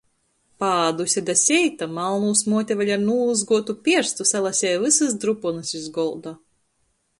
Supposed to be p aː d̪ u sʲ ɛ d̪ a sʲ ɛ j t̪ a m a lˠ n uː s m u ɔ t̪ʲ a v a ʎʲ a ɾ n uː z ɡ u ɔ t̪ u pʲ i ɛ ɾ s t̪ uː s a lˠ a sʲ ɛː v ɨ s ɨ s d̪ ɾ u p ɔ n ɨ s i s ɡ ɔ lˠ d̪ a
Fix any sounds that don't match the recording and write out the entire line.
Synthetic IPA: p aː d̪ u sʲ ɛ d̪ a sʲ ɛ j t̪ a m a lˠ n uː s m u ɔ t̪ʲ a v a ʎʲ a ɾ n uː z ɡ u ɔ t̪ u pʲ i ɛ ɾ s t̪ u s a lˠ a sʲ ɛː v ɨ s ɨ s d̪ ɾ u p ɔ n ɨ s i z ɡ ɔ lˠ d̪ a